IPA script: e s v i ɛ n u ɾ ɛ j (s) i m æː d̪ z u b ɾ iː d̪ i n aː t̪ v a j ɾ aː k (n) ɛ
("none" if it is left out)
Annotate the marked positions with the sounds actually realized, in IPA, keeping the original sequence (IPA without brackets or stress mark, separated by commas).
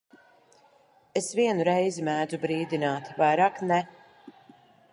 z, n